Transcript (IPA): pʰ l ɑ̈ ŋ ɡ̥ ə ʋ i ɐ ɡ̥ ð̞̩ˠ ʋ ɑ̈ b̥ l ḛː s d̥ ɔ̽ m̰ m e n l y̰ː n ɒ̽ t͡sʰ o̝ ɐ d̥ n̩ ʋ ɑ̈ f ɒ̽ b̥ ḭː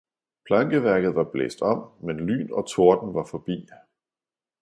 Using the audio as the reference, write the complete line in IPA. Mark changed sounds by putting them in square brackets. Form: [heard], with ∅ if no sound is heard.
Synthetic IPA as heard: pʰ l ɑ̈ ŋ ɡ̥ ə ʋ [æ] ɐ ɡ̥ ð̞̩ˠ ʋ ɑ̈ b̥ l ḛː s d̥ [ɒ̽] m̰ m e n l y̰ː n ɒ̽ t͡sʰ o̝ ɐ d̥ n̩ ʋ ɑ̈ f ɒ̽ b̥ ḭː